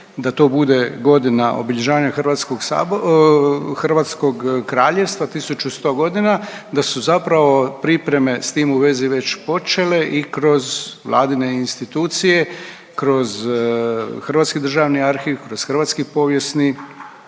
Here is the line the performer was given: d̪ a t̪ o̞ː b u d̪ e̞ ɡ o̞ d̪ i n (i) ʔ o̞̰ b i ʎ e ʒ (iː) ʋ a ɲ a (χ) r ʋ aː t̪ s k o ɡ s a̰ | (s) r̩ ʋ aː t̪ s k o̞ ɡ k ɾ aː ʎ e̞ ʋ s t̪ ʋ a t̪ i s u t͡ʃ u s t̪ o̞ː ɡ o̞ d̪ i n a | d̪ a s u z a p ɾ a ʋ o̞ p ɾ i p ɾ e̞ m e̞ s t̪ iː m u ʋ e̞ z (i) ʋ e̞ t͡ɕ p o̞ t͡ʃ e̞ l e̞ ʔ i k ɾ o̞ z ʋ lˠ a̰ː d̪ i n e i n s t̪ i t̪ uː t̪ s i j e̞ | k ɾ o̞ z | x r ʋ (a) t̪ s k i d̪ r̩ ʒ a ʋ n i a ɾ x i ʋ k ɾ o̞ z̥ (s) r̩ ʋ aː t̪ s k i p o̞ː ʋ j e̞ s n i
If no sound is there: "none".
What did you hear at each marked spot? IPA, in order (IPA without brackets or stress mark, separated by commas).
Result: a, aː, x, x, i, a, x